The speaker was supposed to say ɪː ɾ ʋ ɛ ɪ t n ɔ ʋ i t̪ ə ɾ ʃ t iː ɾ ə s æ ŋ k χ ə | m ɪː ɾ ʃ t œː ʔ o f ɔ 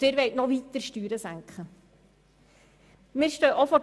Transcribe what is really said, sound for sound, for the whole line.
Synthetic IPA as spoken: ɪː ɾ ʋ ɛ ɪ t n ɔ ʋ i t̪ ə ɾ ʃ t yː ɾ ə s æ ŋ k χ ə | m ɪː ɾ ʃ t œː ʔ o f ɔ